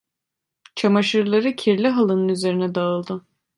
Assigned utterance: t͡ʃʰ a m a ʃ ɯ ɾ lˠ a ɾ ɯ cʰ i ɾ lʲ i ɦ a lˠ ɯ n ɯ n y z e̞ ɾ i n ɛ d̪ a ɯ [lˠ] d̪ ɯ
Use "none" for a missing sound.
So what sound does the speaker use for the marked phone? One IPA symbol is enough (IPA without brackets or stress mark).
lˠ